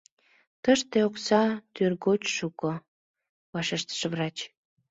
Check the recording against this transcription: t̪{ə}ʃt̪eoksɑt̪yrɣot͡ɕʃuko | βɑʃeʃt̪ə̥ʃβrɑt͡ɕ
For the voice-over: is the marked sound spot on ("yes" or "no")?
yes